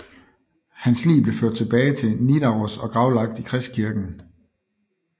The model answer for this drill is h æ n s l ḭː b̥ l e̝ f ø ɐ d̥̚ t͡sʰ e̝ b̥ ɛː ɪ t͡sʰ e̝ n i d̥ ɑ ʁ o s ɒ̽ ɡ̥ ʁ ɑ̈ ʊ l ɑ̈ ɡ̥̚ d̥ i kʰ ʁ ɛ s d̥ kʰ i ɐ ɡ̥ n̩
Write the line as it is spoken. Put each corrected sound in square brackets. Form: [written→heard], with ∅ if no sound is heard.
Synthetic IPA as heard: h æ n s l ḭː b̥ l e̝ f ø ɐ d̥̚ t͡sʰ e̝ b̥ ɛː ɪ t͡sʰ e̝ n i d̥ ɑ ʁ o s ɒ̽ ɡ̥ ʁ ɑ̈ ʊ l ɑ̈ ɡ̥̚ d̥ i kʰ ʁ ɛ s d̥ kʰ i ɐ ɡ̥ n̩